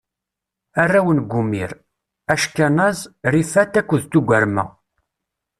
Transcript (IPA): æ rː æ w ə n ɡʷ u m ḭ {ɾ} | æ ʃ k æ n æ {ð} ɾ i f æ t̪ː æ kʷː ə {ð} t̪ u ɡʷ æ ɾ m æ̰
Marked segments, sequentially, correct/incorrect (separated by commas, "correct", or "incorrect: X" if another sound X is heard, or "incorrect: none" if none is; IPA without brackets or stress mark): correct, incorrect: z, correct